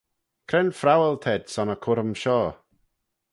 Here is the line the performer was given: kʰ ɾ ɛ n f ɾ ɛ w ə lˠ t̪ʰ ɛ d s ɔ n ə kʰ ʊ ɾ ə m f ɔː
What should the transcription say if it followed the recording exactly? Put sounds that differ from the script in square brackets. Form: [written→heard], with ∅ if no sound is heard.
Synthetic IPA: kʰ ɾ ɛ n f ɾ [ɛ→a] w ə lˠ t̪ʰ ɛ d s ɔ n ə kʰ ʊ ɾ ə m [f→ʃ] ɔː